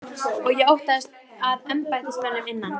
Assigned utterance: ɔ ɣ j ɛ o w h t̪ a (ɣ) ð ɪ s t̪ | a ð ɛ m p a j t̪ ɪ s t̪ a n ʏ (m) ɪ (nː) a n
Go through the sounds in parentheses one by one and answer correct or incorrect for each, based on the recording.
incorrect, correct, correct

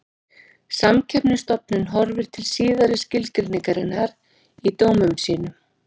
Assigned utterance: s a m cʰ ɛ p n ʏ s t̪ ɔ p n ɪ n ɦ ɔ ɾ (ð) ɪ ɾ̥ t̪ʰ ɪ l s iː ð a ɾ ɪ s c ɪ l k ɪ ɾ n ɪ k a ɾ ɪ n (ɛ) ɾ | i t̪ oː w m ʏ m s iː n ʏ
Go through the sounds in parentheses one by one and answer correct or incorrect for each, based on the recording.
incorrect, incorrect

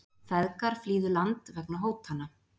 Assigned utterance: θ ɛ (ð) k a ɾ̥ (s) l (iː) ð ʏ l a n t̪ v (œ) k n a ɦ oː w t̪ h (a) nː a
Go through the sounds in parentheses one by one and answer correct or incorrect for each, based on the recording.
correct, incorrect, correct, incorrect, correct

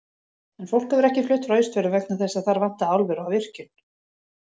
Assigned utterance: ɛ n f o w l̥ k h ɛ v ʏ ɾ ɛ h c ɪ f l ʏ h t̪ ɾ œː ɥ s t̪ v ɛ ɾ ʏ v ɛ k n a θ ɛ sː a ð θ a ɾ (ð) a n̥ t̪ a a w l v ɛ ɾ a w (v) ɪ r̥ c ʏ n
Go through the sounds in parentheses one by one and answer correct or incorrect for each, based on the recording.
incorrect, correct

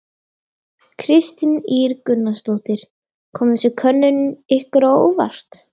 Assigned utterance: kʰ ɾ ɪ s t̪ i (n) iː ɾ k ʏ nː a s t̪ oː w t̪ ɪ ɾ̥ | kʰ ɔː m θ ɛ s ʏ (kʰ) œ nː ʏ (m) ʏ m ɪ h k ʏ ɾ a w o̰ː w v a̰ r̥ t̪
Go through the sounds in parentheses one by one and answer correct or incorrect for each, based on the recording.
correct, correct, incorrect

